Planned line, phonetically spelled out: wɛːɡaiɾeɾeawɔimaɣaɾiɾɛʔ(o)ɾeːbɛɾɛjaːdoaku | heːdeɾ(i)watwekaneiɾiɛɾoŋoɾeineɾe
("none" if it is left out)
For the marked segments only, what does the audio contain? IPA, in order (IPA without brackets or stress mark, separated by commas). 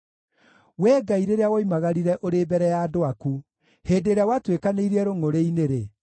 o, a